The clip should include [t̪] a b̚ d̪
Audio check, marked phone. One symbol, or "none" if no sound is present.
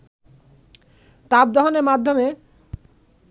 t̪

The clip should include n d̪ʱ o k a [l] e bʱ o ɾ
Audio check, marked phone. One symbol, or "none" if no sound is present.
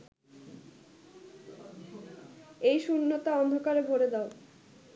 ɾ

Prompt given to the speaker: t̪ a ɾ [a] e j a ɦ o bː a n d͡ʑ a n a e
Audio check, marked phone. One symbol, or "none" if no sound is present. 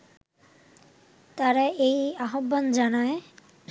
a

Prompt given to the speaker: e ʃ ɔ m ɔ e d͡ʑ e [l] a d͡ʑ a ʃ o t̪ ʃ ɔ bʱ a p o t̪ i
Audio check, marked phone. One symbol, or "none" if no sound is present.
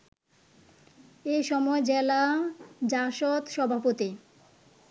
l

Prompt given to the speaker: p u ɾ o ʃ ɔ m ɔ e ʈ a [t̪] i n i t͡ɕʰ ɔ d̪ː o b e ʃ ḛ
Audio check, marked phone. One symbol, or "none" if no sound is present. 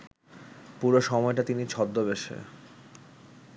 t̪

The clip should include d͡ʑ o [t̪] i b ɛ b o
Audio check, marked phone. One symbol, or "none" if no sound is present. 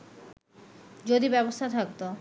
d̪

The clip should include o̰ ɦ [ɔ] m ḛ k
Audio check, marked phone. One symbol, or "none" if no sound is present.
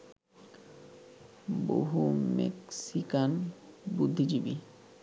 u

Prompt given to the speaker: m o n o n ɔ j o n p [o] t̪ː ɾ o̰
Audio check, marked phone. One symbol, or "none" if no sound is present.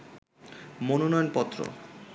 ɔ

